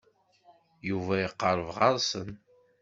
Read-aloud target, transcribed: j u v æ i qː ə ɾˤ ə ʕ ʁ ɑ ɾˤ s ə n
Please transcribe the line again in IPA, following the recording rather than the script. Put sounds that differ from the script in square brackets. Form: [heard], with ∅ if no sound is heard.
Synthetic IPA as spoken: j u v æ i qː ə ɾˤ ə [v] ʁ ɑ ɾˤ s ə n